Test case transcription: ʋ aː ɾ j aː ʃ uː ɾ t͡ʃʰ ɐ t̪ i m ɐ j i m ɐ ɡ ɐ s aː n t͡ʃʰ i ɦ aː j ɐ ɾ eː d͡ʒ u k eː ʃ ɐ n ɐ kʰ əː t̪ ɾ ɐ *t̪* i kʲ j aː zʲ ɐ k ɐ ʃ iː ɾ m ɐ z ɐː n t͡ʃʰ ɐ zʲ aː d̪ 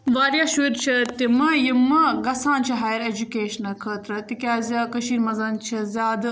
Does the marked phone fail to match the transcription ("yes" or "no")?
no